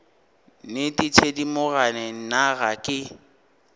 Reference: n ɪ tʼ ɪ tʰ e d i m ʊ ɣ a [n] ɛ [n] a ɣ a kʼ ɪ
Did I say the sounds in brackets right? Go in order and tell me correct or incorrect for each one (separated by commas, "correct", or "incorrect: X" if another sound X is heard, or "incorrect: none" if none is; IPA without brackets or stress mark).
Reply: correct, correct